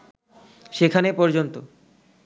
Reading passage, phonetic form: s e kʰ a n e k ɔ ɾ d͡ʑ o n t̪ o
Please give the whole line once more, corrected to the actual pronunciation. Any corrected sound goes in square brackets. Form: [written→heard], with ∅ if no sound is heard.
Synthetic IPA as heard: [s→ʃ] e kʰ a n e [k→p] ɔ ɾ d͡ʑ o n t̪ o